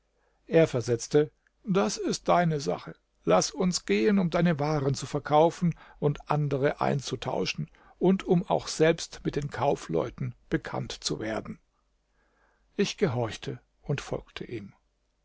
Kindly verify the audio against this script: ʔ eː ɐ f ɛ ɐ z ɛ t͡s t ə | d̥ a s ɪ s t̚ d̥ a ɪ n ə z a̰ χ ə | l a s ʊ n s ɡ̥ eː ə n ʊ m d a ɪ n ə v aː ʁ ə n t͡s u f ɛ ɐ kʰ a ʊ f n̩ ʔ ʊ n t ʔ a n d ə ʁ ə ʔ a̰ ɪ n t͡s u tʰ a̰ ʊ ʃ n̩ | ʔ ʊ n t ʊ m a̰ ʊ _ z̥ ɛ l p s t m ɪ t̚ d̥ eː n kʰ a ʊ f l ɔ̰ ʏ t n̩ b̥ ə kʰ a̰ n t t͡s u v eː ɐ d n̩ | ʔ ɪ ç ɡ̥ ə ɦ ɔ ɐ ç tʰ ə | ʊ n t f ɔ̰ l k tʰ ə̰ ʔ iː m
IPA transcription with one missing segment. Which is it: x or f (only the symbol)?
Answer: x